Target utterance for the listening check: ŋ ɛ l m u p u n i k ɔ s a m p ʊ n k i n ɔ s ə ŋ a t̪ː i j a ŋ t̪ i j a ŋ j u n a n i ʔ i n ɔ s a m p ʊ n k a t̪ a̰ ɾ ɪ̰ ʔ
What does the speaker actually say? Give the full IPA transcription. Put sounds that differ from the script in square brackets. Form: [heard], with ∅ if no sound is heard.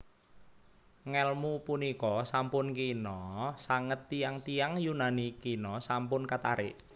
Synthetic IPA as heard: ŋ ɛ l m u p u n i k ɔ s a m p ʊ n k i n ɔ s [a] ŋ [ə] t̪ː i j a ŋ t̪ i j a ŋ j u n a n i [k] i n ɔ s a m p ʊ n k a t̪ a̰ ɾ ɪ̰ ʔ